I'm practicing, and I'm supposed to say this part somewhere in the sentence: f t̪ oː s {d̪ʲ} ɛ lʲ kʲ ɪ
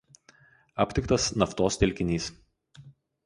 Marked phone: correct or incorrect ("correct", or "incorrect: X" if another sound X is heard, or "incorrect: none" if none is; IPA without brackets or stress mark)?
incorrect: t̪ʲ